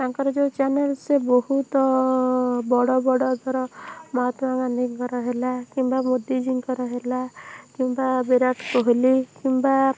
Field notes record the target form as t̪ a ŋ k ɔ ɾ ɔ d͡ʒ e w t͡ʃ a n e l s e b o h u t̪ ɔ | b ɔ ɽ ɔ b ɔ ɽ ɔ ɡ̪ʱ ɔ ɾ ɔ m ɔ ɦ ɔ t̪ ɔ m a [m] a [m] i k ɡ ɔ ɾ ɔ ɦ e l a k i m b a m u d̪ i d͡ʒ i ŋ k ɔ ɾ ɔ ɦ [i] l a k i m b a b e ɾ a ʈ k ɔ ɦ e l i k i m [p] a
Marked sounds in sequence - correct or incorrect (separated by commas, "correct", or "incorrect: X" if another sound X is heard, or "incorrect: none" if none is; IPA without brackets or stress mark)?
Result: incorrect: ŋ, incorrect: n, incorrect: e, incorrect: b